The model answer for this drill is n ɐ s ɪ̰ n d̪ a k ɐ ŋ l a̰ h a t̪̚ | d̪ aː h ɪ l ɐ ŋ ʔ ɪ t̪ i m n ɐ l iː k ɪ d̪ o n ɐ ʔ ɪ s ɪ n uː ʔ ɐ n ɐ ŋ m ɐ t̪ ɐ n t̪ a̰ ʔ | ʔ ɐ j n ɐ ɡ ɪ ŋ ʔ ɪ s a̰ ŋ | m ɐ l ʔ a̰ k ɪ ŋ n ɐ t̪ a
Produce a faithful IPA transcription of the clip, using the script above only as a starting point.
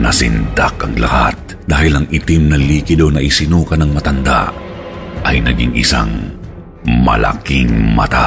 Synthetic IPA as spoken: n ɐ s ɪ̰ n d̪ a k ɐ ŋ l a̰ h a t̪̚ | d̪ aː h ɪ l ɐ ŋ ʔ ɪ t̪ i m n ɐ l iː k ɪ d̪ o n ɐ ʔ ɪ s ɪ n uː k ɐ n ɐ ŋ m ɐ t̪ ɐ n d̪ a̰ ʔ | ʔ ɐ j n ɐ ɡ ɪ ŋ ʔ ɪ s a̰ ŋ | m ɐ l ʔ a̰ k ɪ ŋ m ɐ t̪ a